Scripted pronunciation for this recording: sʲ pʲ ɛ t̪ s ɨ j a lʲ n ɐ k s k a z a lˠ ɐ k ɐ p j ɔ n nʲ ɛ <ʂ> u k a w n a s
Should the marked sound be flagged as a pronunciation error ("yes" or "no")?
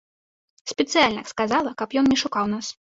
no